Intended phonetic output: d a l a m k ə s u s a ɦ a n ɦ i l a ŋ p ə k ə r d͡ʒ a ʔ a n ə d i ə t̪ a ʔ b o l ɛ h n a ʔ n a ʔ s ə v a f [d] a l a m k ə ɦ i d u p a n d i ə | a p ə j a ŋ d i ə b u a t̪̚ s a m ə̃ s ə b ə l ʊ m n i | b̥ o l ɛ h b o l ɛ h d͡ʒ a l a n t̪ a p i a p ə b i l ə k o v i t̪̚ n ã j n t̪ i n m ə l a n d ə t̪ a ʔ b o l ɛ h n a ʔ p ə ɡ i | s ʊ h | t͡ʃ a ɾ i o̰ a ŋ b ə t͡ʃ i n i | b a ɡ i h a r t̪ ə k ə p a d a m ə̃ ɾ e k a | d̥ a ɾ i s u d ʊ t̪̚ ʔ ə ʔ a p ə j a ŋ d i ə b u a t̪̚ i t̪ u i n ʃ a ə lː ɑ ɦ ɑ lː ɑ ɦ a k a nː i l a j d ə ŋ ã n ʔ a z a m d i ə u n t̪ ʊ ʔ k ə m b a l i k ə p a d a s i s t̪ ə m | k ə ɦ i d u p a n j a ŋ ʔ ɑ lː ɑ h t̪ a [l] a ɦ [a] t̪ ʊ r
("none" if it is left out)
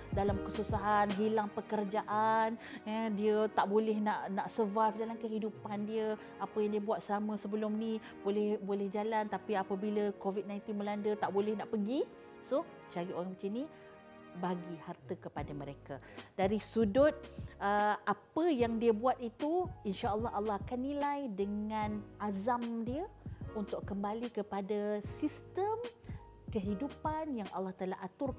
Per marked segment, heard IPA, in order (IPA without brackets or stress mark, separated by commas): d, l, a